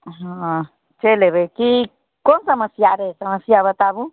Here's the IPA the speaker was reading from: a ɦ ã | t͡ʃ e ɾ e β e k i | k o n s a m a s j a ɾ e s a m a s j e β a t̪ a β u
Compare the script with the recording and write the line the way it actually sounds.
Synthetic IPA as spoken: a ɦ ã | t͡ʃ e l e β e k i | k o n s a m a s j a ɾ e s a m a s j a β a t̪ a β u

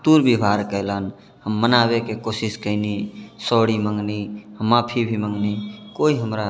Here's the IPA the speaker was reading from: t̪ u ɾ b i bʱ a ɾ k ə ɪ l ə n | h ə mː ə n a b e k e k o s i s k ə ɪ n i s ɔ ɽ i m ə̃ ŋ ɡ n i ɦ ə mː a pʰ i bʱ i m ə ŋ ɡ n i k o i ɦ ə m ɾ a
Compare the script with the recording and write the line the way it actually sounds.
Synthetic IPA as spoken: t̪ u ɾ b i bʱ a ɾ k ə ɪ l ə n | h ə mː ə n a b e k e k o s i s k ə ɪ n i s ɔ ɽ i m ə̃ ŋ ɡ n i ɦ ə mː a pʰ i bʱ i m ə ŋ ɡ n i k o i ɦ ə m ɾ a

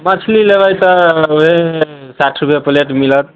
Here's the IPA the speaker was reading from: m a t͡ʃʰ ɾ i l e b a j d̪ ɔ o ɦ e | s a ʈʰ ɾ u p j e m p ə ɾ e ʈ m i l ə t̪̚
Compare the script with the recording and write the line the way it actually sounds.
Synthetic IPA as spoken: m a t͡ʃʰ l i l e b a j t̪ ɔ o ɦ e | s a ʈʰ ɾ u p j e p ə l e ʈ m i l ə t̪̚

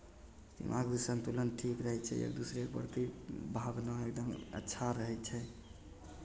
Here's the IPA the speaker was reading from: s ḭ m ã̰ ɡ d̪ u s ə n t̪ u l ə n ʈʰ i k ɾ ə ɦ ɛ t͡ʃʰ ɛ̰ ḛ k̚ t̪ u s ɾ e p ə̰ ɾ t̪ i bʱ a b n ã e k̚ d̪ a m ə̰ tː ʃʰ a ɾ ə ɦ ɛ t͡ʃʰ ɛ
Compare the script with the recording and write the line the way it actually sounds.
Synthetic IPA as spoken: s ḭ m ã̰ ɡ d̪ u s ə n t̪ u l ə n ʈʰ i k ɾ ə ɦ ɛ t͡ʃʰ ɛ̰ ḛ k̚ d̪ u s ɾ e p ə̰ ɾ t̪ i bʱ a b n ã e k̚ d̪ ə m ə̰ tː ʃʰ a ɾ ə ɦ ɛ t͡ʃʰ ɛ

